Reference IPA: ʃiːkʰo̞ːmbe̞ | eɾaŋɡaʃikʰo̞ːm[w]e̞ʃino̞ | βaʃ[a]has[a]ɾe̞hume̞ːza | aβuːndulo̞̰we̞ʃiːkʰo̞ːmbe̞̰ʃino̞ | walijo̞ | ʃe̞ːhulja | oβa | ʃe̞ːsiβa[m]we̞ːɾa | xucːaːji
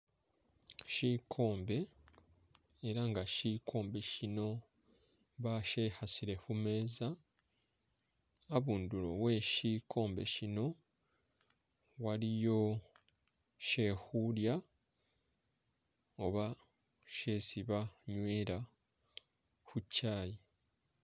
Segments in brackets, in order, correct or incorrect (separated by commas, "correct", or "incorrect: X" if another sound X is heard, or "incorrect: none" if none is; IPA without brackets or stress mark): incorrect: b, incorrect: e, incorrect: i, incorrect: ɲ